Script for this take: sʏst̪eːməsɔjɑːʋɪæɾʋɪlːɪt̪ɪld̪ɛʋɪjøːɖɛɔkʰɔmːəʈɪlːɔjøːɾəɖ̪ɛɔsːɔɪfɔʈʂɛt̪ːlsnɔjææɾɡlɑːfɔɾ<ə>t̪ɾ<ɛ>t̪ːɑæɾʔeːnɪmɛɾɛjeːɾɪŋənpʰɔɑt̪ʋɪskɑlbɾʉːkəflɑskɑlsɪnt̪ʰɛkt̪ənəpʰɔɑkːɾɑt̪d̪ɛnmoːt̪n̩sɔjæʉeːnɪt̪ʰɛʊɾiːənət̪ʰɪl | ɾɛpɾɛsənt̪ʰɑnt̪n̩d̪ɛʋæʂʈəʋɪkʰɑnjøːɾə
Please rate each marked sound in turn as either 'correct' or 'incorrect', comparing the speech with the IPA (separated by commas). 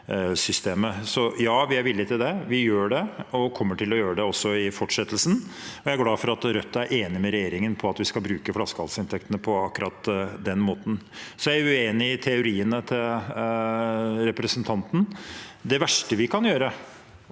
incorrect, incorrect